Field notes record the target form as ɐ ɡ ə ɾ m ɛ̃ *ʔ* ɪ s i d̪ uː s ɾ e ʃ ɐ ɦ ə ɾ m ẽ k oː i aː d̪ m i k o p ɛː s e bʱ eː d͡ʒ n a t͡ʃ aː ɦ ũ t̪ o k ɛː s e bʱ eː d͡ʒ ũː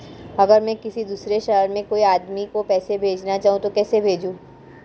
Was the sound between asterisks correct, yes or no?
no